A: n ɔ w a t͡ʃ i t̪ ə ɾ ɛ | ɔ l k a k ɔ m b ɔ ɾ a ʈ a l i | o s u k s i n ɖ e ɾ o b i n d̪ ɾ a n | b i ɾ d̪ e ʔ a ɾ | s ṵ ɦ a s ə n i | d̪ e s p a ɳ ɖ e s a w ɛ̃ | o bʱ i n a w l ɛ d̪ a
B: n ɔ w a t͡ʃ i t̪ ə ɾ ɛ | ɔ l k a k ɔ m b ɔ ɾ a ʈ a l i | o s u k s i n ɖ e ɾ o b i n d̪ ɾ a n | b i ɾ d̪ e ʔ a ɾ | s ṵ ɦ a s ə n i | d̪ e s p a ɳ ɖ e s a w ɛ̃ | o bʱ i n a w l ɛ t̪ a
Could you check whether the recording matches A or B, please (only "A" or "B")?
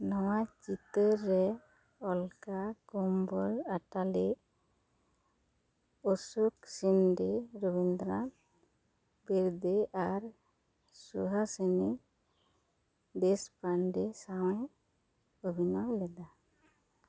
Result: A